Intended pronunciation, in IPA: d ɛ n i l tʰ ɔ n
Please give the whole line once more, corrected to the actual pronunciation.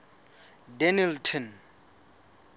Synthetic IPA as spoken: d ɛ n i l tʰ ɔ n